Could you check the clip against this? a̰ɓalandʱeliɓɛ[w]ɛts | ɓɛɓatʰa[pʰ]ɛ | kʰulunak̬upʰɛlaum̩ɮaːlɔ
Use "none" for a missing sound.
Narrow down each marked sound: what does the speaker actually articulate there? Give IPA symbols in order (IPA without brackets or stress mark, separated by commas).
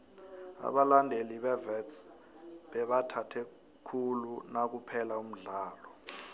v, tʰ